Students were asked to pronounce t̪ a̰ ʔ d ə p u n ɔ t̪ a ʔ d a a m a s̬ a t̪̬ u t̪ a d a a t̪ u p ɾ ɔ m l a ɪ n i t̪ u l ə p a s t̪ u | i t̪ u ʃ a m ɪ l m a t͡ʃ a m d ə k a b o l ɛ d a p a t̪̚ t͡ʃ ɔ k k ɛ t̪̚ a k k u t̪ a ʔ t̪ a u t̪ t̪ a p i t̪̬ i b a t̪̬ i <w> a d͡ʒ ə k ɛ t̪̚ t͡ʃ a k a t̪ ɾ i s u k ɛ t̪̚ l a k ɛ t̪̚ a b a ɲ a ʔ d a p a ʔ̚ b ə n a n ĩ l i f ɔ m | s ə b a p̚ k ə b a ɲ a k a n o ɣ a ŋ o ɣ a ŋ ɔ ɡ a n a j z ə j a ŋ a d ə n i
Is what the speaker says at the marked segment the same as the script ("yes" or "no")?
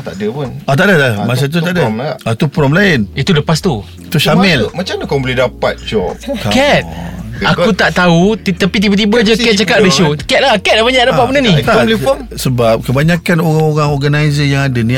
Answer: no